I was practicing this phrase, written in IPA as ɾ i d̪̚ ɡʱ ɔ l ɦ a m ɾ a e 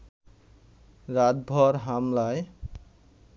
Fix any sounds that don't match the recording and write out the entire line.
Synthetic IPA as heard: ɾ a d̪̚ bʱ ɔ ɾ ɦ a m l a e